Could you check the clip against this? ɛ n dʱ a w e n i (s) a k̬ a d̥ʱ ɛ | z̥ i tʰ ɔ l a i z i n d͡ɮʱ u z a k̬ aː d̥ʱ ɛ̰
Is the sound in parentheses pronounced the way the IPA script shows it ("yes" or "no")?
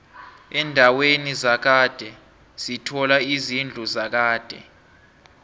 no